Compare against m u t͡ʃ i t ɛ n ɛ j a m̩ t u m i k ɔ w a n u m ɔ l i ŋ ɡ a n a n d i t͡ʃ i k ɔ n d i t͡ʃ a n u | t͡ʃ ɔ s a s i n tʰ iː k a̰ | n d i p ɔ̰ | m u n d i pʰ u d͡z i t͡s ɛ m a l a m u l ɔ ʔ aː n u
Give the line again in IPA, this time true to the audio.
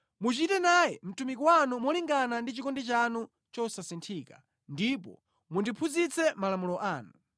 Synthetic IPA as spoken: m u t͡ʃ i t ɛ n a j ɛ m̩ t u m i k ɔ w a n u m ɔ l i ŋ ɡ a n a n d i t͡ʃ i k ɔ n d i t͡ʃ a n u | t͡ʃ ɔ s a s i n tʰ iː k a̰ | n d i p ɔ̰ | m u n d i pʰ u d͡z i t͡s ɛ m a l a m u l ɔ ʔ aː n u